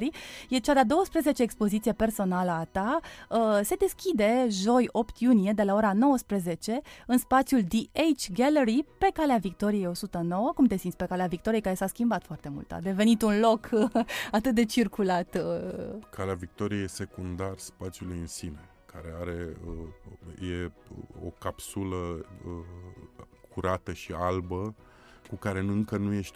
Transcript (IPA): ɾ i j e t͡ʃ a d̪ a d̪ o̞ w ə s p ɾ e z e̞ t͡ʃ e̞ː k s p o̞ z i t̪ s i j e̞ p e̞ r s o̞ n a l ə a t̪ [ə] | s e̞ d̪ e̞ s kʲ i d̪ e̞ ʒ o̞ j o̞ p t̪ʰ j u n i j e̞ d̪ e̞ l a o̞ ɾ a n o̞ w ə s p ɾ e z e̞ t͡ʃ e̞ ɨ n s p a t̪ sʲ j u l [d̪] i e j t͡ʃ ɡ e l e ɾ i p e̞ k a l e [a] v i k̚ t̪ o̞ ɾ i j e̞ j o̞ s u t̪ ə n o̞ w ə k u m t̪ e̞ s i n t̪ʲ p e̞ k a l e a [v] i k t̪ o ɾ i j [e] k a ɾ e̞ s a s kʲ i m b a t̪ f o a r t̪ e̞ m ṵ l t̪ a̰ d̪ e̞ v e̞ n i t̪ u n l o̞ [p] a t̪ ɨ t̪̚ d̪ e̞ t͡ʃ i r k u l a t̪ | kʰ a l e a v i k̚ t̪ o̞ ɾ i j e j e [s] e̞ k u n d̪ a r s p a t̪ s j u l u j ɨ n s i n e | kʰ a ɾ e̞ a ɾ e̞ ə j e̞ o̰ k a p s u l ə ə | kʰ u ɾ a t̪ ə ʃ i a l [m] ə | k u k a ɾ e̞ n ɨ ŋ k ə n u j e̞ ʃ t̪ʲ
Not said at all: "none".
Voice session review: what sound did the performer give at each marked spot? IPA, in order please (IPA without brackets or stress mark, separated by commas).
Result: a, d̪, a, v, e, k, s, b